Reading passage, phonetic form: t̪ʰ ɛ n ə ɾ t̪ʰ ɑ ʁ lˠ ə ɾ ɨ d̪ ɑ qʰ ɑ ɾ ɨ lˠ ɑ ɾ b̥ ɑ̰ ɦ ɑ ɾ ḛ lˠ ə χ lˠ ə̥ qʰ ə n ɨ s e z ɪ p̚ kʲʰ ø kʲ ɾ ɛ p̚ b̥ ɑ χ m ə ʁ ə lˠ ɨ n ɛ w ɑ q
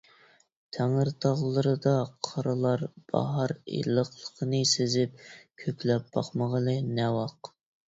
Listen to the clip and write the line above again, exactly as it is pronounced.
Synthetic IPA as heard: t̪ʰ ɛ ŋ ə ɾ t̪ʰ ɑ ʁ lˠ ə ɾ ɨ d̪ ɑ qʰ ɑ ɾ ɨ lˠ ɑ ɾ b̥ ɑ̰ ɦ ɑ ɾ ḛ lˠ ə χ lˠ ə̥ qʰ ə n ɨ s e z ɪ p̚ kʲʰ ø kʲ l ɛ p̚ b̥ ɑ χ m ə ʁ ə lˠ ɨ n ɛ w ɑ q